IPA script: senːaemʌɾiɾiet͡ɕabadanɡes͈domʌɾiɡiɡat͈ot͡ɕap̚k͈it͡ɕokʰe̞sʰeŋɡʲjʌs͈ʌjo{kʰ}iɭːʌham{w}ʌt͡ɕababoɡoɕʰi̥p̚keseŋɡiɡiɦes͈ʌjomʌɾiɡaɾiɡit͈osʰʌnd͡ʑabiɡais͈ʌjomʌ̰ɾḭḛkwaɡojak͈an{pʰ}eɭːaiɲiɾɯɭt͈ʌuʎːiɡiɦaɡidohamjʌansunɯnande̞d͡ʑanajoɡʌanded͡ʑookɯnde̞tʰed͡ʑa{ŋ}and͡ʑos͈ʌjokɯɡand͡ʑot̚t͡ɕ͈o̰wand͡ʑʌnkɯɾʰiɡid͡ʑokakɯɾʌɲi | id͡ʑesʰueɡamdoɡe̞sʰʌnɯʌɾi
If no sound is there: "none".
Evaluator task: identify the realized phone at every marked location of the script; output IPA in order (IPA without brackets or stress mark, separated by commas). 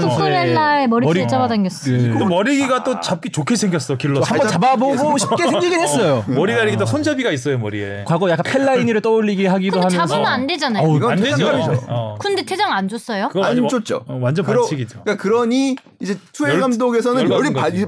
k, b, pʰ, ŋ